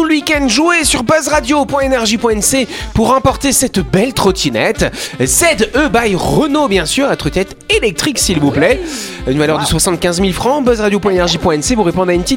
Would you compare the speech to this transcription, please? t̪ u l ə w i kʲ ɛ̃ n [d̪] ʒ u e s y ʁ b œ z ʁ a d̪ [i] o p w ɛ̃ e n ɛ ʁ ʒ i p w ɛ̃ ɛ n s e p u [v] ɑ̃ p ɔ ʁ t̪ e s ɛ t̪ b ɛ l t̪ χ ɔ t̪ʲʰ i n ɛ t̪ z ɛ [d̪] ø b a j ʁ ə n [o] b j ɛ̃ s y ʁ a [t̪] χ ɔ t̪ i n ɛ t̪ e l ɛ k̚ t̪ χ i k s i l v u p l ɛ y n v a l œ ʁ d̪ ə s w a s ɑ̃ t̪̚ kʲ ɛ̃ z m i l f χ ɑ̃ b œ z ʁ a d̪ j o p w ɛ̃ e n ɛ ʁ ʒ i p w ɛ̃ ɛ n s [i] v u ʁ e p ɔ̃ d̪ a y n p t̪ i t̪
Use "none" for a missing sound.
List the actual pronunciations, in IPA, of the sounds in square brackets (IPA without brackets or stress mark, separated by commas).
d̪, j, ʁ, d̪, o, t̪, e